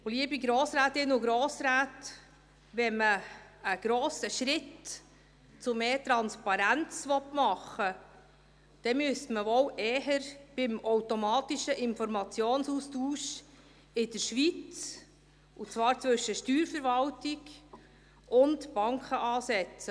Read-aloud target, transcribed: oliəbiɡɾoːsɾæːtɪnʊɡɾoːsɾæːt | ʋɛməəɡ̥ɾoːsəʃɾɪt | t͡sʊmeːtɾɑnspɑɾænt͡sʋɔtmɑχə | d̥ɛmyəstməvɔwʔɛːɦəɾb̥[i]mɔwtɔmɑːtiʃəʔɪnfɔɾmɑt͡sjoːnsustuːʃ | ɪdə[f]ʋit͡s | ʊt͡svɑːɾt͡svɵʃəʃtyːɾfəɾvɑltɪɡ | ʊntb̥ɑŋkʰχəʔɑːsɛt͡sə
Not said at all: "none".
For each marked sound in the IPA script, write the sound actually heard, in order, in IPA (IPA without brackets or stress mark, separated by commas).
ɪ, ʃ